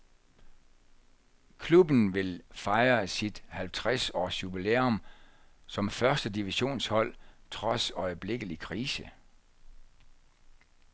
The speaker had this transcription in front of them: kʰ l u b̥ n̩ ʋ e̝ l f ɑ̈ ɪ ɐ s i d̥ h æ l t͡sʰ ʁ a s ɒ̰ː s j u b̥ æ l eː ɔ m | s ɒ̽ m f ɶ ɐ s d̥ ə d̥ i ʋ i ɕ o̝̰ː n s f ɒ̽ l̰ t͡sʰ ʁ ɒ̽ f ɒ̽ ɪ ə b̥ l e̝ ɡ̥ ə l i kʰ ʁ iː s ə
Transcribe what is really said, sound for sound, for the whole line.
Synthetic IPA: kʰ l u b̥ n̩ ʋ e̝ l f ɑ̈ ɪ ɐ s i d̥ h æ l t͡sʰ ʁ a s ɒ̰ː s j u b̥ i l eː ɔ m | s ɒ̽ m f ɶ ɐ s d̥ ə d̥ i ʋ i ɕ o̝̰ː n s h ɒ̽ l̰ t͡sʰ ʁ ɒ̽ s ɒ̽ ɪ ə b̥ l e̝ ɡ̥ ə l i kʰ ʁ iː s ə